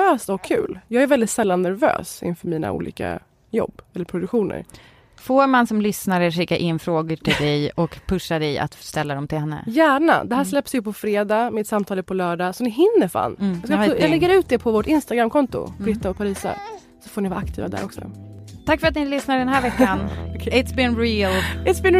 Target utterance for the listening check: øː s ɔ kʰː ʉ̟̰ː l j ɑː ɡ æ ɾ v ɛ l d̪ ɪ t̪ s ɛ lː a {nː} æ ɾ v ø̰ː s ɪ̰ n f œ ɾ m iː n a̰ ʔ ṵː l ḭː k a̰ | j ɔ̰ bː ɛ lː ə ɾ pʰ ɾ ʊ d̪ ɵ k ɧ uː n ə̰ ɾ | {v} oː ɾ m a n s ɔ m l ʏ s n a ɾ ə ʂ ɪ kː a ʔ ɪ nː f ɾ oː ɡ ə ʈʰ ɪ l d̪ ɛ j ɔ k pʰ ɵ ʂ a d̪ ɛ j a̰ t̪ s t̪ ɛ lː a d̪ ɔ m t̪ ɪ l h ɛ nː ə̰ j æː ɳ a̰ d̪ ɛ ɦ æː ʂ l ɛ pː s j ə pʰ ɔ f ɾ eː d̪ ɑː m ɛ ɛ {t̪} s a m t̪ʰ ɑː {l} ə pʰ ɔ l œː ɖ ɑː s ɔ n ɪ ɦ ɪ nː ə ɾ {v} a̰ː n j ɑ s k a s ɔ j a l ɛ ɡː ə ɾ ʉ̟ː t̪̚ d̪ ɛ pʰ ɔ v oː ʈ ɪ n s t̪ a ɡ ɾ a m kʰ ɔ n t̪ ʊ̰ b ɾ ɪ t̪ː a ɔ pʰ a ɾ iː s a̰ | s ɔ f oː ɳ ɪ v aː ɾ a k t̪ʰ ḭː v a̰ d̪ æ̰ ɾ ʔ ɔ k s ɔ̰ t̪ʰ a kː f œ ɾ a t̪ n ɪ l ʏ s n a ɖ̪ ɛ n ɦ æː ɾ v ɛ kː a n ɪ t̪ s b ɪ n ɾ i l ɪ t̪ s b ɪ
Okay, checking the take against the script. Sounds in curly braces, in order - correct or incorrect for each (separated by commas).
correct, incorrect, correct, correct, incorrect